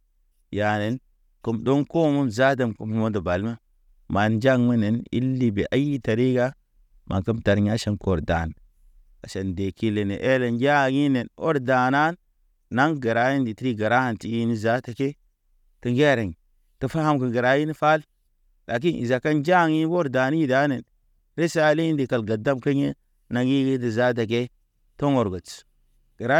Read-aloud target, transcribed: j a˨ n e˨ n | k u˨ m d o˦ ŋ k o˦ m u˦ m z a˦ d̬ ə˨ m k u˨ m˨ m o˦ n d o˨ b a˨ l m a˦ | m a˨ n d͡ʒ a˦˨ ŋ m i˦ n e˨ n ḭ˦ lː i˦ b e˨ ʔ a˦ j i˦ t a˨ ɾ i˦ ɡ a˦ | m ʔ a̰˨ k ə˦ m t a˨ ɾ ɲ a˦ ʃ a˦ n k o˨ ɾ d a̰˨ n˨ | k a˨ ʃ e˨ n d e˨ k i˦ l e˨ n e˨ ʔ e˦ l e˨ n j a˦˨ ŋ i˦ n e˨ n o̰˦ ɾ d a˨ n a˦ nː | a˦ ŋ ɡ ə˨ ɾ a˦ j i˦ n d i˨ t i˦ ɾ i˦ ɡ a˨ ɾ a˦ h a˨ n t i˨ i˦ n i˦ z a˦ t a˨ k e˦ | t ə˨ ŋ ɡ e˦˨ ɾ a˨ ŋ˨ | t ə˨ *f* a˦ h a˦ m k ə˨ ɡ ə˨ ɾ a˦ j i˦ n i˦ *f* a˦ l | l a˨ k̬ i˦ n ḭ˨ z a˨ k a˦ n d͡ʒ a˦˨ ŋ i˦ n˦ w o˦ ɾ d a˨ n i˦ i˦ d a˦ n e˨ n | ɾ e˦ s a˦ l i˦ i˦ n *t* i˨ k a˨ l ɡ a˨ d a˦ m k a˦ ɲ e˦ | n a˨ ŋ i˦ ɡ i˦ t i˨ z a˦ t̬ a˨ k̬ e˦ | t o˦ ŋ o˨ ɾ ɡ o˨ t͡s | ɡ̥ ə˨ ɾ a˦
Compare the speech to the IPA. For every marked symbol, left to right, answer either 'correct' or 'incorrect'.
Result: correct, correct, incorrect: d

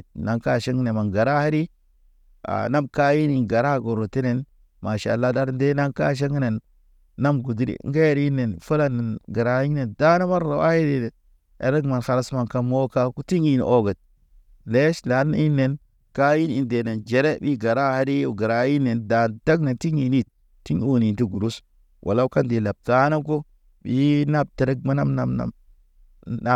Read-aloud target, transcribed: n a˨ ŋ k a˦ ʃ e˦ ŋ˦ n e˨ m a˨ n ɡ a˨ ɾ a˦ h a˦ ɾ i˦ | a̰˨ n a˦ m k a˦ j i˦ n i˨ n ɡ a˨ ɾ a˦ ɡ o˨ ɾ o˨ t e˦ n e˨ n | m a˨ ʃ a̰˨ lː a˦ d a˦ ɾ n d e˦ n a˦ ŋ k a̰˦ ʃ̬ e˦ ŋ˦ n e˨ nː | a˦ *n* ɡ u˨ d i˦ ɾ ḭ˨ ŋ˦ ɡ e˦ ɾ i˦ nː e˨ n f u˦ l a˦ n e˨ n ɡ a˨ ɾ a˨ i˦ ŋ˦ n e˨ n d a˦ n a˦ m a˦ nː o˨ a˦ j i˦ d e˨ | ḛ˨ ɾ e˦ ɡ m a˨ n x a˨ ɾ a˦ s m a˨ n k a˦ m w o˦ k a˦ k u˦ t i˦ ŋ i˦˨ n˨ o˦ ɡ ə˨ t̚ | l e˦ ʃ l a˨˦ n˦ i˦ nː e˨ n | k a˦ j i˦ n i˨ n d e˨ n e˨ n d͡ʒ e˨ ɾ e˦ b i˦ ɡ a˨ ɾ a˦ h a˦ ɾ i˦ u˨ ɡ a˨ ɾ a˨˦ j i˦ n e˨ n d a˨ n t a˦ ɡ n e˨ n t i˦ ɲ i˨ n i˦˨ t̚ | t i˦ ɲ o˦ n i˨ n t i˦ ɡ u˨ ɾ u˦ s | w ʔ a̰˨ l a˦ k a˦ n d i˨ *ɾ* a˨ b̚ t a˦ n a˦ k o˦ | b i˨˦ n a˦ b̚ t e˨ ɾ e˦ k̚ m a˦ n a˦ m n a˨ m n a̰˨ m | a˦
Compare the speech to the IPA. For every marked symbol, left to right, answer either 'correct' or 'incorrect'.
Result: incorrect: m, incorrect: l

